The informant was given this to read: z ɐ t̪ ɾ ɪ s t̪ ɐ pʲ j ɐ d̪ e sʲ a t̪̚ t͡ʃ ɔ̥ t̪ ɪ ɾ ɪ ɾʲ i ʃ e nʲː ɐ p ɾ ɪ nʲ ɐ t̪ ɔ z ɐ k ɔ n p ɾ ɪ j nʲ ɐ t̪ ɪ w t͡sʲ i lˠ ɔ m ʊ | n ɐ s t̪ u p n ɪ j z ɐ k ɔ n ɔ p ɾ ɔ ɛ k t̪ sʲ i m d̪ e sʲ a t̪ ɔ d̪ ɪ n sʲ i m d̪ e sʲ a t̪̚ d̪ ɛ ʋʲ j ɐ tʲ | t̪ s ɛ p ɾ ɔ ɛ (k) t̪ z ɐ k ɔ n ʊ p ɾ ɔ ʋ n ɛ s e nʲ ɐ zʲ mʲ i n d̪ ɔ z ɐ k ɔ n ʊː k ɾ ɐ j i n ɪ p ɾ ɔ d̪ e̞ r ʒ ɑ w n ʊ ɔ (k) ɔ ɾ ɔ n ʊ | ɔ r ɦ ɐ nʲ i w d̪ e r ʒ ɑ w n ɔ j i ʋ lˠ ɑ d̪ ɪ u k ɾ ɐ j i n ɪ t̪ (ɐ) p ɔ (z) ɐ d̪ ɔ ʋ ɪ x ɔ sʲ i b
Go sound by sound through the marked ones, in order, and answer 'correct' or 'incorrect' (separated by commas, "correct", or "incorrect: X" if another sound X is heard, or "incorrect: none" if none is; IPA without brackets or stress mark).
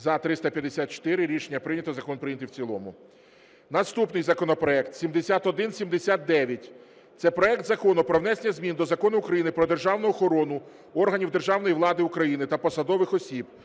correct, incorrect: x, correct, incorrect: s